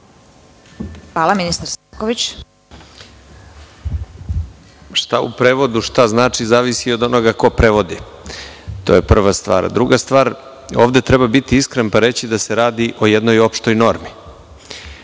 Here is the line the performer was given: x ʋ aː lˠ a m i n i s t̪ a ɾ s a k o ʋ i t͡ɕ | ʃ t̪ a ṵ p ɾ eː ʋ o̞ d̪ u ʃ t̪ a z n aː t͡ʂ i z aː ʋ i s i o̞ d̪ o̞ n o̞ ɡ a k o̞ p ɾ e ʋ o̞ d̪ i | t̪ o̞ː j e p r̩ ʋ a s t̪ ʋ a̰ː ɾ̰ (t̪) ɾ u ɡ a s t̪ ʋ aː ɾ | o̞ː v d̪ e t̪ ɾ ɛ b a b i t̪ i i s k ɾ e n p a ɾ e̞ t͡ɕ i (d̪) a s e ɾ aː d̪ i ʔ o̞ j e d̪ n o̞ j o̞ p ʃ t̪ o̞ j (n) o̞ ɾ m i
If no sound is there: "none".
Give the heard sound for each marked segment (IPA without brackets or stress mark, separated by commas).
d̪, d̪, n